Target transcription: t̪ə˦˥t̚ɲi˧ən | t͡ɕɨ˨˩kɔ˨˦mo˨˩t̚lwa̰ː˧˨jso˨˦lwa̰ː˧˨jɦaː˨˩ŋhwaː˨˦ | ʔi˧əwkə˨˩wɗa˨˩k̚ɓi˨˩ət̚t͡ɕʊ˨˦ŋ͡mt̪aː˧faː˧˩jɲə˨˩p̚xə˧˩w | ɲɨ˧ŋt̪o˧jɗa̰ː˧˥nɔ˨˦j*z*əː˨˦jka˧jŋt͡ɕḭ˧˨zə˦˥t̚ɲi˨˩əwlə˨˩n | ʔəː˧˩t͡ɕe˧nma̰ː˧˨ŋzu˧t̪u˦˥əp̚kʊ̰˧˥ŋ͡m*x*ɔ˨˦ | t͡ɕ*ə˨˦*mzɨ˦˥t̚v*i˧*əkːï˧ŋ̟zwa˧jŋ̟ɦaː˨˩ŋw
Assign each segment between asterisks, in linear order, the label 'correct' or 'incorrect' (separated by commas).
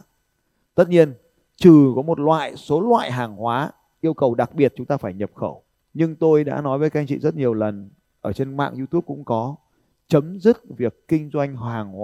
incorrect, incorrect, correct, incorrect